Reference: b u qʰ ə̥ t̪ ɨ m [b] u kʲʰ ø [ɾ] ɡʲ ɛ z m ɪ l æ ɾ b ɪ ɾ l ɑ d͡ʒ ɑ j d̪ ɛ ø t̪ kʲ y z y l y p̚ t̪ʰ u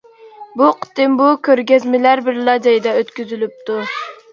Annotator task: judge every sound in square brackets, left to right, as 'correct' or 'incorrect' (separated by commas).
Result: correct, correct